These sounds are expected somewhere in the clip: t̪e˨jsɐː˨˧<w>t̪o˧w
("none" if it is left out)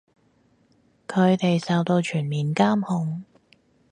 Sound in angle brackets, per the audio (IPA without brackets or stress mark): w